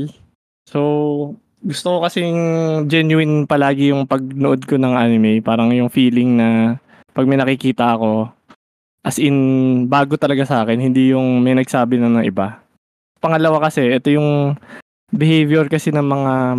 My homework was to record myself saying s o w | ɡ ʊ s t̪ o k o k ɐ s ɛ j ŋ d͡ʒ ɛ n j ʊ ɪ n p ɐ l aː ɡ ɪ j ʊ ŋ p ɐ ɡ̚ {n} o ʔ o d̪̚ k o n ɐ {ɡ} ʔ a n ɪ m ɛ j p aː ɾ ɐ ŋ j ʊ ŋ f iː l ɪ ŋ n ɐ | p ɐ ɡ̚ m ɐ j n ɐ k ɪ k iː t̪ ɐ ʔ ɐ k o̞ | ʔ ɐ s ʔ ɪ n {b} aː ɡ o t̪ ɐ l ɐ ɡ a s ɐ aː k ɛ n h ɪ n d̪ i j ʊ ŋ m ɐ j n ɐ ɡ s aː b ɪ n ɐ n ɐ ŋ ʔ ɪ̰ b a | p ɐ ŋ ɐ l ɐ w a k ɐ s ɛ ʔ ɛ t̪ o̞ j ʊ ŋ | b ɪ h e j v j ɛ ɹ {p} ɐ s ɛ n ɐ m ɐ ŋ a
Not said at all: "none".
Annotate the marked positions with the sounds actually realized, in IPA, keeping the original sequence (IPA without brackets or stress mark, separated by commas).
n, ŋ, b, k